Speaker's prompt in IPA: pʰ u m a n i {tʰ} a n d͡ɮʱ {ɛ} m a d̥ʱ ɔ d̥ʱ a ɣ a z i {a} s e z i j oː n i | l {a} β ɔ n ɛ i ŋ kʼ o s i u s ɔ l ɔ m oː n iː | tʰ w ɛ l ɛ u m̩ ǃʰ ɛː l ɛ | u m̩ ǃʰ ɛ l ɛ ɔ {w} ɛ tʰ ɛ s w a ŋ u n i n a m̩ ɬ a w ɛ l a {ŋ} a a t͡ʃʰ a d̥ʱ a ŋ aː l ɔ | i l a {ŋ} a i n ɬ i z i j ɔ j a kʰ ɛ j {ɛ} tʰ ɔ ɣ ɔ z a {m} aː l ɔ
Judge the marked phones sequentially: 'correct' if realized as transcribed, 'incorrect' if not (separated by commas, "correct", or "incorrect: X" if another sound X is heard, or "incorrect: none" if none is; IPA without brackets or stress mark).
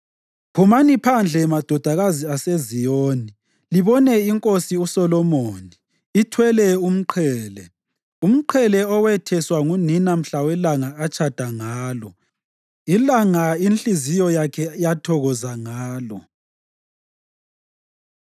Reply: incorrect: pʰ, correct, correct, incorrect: i, correct, correct, correct, incorrect: a, incorrect: ŋ